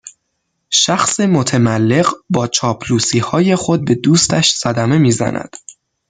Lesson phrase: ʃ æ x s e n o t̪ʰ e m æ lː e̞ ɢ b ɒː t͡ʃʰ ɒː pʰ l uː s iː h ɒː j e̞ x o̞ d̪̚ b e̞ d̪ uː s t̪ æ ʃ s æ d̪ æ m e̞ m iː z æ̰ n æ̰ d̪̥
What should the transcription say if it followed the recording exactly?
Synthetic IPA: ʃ æ x s e m o t̪ʰ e m æ lː e̞ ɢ b ɒː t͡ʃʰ ɒː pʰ l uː s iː h ɒː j e̞ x o̞ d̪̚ b e̞ d̪ uː s t̪ æ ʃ s æ d̪ æ m e̞ m iː z æ̰ n æ̰ d̪̥